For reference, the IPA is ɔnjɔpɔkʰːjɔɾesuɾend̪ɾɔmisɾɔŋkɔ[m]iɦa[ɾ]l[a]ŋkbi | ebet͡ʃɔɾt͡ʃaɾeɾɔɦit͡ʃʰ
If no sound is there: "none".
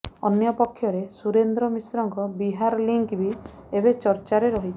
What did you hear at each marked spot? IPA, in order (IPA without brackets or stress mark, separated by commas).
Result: b, ɾ, i